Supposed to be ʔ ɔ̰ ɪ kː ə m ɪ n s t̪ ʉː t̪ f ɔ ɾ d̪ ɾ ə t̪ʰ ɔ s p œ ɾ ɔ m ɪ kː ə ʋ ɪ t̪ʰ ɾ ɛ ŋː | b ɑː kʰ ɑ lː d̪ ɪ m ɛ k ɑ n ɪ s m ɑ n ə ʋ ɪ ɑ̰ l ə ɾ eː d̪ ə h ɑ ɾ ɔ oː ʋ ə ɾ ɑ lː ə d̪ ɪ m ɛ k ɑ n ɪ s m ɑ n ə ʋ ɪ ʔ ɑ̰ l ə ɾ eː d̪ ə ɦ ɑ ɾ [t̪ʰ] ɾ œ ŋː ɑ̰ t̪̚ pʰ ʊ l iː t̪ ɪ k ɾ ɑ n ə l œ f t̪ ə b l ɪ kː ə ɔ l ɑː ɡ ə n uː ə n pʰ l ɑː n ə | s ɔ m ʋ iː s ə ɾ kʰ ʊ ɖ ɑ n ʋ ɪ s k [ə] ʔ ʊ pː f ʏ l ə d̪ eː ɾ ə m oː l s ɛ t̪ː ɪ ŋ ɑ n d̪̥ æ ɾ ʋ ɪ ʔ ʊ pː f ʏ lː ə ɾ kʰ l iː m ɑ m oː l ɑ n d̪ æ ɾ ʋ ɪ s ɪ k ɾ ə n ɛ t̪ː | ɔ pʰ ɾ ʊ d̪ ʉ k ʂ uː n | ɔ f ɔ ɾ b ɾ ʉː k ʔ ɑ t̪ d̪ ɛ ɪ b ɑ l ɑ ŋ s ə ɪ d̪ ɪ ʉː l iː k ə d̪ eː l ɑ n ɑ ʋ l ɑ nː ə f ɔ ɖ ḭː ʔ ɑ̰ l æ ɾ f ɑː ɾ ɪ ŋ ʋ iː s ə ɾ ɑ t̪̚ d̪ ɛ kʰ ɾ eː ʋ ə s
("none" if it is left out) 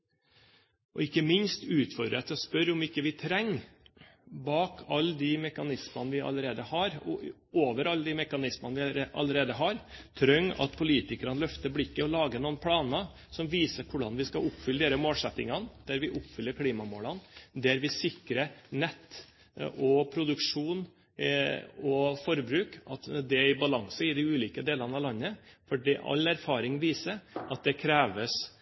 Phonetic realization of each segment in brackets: t̪ʰ, ɑ

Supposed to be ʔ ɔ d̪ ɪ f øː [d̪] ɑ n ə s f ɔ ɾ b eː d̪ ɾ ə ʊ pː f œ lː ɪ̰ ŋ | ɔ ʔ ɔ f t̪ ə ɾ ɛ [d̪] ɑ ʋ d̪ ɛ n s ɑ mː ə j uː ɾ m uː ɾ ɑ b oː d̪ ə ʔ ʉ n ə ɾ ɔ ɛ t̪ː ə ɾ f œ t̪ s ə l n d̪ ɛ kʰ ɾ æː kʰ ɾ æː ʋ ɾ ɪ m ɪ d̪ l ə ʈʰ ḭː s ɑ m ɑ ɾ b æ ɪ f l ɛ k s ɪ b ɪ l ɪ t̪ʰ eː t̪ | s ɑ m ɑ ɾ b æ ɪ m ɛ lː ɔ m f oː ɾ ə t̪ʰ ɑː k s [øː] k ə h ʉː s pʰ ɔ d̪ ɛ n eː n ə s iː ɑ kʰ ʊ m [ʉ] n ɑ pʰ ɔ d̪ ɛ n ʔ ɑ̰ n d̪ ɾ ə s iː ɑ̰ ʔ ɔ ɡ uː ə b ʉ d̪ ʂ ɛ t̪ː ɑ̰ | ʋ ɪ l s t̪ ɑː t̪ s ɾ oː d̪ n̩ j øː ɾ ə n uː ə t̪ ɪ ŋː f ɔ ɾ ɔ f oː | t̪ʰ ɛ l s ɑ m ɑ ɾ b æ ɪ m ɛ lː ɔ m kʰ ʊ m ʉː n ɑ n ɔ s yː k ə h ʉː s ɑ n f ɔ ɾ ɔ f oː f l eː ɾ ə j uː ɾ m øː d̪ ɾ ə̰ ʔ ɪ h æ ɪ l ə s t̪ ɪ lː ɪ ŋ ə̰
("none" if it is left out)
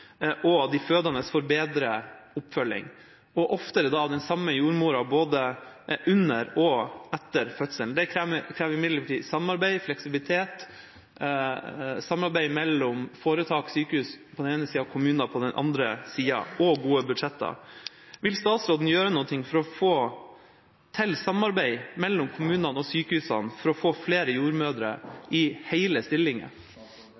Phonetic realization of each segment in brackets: d̪, d̪, yː, ʉː

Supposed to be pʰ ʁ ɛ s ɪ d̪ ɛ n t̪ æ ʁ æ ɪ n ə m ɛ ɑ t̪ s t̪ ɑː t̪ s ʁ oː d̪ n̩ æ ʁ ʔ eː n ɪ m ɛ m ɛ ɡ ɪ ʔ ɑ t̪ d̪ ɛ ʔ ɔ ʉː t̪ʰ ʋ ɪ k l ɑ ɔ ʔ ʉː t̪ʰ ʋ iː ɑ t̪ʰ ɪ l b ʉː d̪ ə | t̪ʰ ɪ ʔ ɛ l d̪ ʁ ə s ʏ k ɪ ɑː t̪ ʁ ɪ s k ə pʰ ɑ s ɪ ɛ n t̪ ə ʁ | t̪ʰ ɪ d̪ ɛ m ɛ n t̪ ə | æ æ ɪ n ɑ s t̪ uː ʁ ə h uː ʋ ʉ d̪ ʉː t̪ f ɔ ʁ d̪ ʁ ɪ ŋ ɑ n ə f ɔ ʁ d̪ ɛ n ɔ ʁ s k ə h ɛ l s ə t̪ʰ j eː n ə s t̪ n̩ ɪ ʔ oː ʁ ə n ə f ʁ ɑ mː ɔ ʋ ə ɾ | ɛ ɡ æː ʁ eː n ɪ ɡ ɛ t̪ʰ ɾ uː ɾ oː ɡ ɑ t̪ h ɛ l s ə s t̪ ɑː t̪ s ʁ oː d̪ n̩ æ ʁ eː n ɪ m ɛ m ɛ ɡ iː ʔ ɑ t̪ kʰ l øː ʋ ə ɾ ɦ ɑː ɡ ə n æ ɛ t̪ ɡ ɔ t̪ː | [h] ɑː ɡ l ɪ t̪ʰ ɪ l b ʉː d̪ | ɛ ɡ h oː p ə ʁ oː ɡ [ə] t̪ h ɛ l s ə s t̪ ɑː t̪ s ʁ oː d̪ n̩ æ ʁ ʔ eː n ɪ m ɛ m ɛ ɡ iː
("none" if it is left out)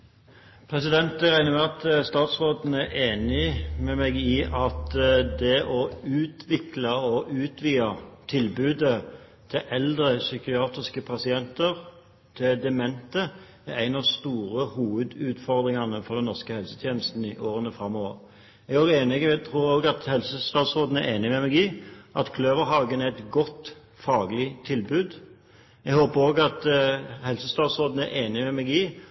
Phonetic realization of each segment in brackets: f, ɑ

